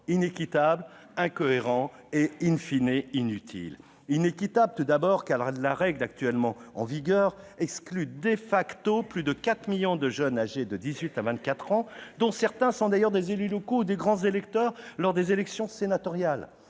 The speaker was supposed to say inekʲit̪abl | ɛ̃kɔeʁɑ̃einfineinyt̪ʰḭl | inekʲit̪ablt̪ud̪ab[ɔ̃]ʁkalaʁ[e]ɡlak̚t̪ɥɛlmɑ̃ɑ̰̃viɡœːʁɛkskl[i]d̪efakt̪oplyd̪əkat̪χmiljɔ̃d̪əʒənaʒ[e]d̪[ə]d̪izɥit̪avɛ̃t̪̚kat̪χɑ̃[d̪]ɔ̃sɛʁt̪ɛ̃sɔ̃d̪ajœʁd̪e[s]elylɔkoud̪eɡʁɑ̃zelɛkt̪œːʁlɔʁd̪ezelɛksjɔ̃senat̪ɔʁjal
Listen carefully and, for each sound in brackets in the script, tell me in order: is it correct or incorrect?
incorrect: ɔ, incorrect: ɛ, incorrect: y, correct, correct, correct, incorrect: z

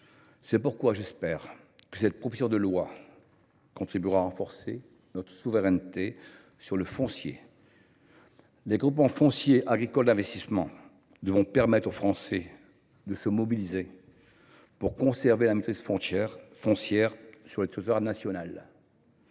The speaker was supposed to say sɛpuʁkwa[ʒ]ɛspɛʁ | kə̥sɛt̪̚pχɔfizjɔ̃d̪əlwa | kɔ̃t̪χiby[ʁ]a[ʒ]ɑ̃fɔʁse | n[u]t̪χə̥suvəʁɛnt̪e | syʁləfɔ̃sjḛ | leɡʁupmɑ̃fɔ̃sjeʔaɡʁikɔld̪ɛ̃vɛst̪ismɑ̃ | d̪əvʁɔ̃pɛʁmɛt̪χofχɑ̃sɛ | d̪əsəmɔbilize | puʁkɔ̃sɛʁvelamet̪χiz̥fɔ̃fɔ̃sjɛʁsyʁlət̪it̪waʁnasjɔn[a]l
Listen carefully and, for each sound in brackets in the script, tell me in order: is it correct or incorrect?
correct, correct, incorrect: ʁ, incorrect: ɔ, correct

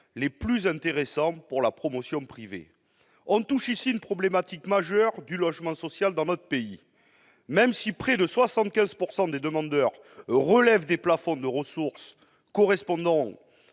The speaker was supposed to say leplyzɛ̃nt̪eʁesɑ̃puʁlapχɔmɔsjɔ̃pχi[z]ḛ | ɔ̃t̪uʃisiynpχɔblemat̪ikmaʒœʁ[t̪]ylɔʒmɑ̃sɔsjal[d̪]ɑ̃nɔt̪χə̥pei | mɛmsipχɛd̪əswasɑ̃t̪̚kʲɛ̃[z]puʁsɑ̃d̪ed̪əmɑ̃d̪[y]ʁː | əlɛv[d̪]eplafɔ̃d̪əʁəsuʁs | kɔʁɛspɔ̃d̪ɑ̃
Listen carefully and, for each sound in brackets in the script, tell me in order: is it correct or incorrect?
incorrect: v, incorrect: d̪, correct, correct, incorrect: œ, correct

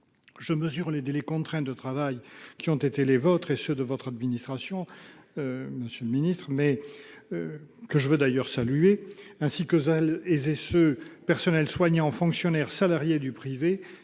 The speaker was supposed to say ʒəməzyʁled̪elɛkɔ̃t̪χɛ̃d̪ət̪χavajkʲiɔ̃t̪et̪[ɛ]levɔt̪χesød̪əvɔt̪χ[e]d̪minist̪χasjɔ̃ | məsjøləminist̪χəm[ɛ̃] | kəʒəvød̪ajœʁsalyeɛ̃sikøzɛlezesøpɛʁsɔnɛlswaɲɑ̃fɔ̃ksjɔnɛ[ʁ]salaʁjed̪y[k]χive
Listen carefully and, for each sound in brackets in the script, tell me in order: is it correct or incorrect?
incorrect: e, incorrect: a, incorrect: ɛ, correct, incorrect: p

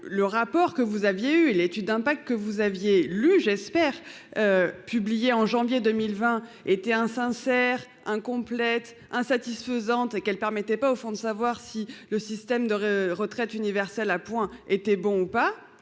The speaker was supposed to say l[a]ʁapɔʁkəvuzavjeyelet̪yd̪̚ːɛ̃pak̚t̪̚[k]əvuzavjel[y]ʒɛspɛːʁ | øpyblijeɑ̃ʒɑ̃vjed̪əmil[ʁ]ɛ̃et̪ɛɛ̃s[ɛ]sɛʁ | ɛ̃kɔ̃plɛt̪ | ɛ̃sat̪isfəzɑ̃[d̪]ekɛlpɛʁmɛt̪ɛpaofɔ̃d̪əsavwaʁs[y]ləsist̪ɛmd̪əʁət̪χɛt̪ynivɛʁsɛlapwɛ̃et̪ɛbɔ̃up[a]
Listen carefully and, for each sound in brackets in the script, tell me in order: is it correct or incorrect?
incorrect: ə, correct, correct, incorrect: v, incorrect: ɛ̃, incorrect: t̪, incorrect: i, correct

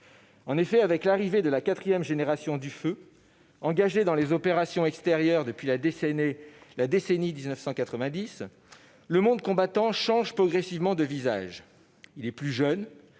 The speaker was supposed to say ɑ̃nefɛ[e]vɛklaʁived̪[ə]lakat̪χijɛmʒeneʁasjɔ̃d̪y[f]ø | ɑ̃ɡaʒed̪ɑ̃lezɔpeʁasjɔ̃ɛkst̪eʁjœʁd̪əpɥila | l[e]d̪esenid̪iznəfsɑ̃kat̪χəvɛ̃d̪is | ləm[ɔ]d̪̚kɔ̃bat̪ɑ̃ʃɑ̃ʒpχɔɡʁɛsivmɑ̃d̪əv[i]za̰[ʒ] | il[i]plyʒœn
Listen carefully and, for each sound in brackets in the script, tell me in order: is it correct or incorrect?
incorrect: a, correct, correct, incorrect: a, incorrect: ɔ̃, correct, correct, incorrect: ɛ

